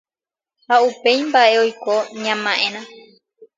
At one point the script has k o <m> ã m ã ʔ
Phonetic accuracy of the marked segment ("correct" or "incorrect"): incorrect